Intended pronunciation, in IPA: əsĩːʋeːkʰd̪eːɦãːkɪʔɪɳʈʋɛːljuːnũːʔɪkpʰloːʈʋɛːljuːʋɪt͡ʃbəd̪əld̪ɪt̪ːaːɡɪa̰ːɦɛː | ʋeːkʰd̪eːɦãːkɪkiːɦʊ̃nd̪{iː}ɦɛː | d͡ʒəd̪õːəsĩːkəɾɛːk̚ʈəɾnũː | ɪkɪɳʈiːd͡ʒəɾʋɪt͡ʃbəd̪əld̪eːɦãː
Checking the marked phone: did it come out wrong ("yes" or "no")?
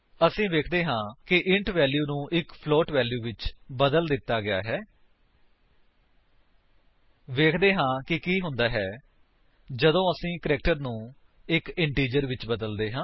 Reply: yes